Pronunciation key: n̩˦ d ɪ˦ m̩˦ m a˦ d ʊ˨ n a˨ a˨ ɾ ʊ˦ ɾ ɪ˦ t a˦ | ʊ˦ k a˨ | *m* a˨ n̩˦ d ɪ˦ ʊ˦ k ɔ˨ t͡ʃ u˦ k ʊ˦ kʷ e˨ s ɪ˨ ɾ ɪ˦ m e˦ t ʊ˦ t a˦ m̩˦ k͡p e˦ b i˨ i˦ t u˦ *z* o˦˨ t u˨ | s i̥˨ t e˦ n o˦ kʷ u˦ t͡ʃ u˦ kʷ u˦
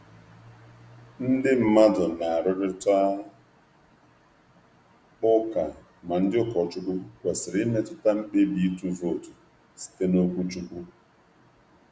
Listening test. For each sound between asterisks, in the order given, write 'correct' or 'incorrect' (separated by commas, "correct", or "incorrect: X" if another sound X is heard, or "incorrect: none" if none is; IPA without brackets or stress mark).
correct, incorrect: v